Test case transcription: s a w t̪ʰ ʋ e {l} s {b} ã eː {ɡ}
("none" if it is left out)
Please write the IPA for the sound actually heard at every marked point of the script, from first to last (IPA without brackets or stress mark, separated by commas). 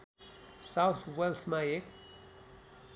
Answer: l, m, k